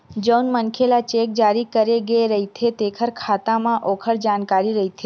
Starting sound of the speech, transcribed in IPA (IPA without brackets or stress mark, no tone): d͡ʒ